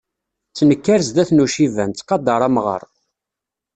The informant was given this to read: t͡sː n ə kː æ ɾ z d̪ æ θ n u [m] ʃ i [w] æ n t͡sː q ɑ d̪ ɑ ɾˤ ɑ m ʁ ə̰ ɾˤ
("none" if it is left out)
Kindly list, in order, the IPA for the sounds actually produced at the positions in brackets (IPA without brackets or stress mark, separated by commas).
none, v